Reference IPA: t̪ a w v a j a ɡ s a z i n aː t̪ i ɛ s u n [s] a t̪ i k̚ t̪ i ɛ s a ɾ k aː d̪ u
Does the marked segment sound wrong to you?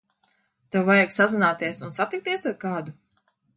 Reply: no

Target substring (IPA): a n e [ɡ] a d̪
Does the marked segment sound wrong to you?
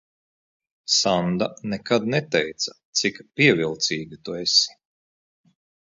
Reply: yes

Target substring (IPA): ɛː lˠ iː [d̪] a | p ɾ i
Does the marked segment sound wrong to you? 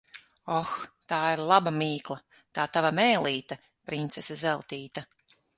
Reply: yes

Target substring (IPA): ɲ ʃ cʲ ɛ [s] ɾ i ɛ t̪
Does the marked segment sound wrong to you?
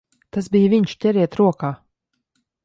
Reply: yes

